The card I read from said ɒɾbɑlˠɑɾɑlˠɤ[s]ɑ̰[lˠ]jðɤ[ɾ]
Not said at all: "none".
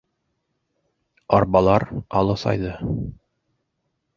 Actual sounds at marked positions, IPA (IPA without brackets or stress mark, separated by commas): s, none, none